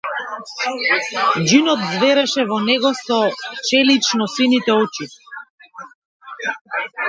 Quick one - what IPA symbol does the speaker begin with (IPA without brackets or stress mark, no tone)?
d͡ʒ